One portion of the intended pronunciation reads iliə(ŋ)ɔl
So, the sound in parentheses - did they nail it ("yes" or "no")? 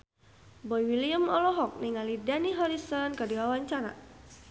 no